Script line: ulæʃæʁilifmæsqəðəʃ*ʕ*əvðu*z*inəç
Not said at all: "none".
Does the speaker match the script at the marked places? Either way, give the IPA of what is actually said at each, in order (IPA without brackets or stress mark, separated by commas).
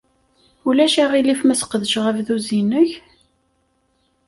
ʁ, z